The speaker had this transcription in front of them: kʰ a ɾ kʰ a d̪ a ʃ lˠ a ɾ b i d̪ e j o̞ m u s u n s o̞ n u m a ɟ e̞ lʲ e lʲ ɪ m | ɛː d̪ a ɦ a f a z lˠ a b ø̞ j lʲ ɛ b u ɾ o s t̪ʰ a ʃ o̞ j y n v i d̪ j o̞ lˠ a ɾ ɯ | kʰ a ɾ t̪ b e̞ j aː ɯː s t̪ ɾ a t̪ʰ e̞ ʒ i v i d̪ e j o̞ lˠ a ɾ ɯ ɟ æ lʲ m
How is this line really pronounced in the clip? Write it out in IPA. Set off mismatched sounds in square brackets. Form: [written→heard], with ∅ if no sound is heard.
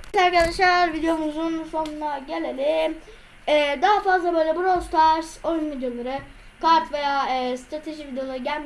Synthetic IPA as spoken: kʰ a ɾ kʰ a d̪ a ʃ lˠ a ɾ [b→v] i d̪ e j o̞ m u [s→z] u n s o̞ n u [m→n] a ɟ e̞ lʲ e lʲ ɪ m | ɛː d̪ a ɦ a f a z lˠ a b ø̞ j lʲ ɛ b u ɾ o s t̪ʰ a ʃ o̞ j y n v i d̪ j o̞ lˠ a ɾ ɯ | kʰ a ɾ t̪ [b→v] e̞ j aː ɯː s t̪ ɾ a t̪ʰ e̞ ʒ i v i d̪ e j o̞ lˠ a ɾ ɯ ɟ æ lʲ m